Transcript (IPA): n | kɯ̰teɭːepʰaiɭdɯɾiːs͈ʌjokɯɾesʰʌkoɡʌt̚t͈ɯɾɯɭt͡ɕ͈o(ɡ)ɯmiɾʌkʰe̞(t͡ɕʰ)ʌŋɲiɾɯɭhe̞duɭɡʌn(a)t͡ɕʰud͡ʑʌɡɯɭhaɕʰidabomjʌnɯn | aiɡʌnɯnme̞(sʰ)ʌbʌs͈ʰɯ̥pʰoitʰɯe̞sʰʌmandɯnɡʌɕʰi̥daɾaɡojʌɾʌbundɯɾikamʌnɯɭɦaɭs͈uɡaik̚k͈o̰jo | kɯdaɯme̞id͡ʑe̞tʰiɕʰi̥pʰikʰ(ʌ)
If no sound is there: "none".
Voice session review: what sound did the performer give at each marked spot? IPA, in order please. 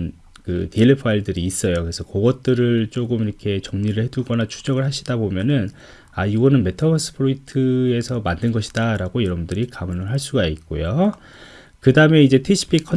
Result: ɡ, t͡ɕ, a, tʰ, ʌ

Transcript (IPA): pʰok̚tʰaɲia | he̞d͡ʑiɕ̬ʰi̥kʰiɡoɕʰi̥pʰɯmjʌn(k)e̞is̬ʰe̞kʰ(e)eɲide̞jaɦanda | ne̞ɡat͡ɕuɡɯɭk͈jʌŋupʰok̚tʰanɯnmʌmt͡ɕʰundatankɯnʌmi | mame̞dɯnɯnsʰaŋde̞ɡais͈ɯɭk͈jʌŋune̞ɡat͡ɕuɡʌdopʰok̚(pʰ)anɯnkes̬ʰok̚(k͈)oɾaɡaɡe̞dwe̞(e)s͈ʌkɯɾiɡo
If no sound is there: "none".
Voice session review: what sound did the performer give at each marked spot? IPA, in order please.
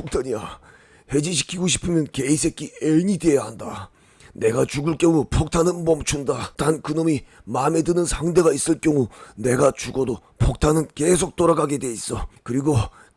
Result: k, i, tʰ, t͈, i

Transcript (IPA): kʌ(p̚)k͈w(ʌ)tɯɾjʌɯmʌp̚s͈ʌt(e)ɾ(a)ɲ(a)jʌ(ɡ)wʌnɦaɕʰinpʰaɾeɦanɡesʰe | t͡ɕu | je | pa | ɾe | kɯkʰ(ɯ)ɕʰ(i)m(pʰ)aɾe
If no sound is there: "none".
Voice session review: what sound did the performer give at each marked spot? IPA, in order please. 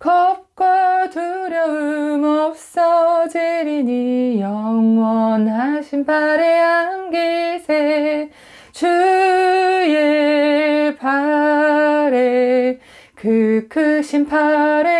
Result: p̚, a, e, i, i, ŋ, ɯ, i, pʰ

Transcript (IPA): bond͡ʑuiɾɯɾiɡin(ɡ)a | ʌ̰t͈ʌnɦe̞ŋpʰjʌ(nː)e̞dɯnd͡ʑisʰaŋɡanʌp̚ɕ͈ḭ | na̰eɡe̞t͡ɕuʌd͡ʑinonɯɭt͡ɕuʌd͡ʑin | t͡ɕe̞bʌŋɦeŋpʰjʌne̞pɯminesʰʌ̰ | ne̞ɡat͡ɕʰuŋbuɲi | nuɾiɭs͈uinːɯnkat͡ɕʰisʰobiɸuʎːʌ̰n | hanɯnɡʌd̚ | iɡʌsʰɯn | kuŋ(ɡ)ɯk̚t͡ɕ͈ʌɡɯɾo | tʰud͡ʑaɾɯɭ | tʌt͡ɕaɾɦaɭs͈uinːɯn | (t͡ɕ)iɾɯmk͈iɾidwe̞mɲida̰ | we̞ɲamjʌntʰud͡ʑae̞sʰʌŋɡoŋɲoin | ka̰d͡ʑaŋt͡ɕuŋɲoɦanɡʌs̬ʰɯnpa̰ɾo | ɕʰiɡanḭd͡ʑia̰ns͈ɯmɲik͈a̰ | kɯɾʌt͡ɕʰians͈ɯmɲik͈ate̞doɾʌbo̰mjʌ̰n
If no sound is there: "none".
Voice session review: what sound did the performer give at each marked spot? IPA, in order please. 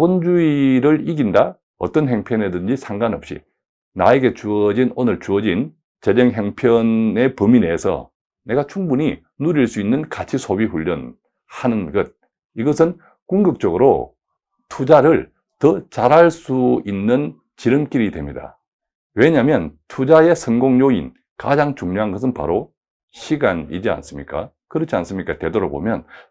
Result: d, n, ɡ, t͡ɕ

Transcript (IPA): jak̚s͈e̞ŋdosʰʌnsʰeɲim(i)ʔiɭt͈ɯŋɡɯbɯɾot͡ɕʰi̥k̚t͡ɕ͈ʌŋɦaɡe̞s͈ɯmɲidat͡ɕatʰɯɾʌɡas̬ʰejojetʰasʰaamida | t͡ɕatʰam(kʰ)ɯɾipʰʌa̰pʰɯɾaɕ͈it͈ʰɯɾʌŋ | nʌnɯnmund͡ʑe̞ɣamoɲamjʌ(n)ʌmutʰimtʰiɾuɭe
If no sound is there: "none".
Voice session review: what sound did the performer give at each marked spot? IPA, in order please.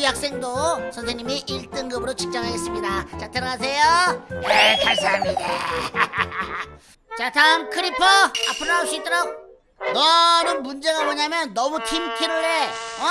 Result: i, kʰ, nː

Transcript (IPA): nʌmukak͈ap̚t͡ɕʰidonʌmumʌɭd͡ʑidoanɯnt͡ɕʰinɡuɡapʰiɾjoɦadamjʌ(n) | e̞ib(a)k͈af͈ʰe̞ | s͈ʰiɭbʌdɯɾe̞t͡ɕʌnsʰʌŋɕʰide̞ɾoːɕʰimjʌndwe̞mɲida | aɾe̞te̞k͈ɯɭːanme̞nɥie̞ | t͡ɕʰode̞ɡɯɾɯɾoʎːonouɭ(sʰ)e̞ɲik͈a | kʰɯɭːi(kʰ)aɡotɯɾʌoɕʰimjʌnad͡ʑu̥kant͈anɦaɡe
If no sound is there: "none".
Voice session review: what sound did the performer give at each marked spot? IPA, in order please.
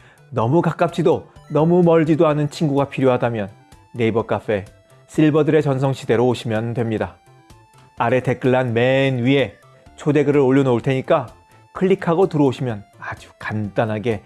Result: nː, ʌ, tʰ, kʰ

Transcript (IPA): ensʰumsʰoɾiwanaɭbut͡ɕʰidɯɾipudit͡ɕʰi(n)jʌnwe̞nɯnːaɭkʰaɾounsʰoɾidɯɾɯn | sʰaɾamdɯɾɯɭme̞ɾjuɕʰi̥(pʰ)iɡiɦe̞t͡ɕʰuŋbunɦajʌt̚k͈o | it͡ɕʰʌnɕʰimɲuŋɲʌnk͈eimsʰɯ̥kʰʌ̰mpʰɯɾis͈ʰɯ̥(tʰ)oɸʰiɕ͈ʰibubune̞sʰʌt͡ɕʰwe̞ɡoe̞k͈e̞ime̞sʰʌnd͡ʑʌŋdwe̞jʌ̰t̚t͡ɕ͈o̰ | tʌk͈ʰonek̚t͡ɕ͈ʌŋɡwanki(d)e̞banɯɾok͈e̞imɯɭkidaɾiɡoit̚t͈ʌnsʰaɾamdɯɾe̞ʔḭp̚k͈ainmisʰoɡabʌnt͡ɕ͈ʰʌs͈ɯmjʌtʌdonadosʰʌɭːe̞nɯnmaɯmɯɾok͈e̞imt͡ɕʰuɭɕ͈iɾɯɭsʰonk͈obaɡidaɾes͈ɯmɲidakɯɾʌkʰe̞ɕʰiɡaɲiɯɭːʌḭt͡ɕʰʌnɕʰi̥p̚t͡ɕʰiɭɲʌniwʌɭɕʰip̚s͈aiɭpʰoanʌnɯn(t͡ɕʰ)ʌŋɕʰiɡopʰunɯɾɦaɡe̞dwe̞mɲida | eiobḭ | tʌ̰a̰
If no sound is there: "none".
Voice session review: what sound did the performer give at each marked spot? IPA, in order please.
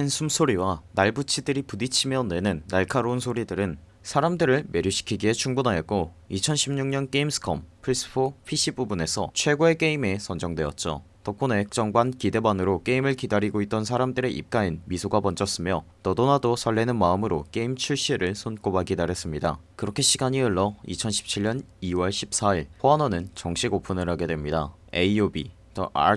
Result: m, kʰ, pʰ, d, t͡ɕ

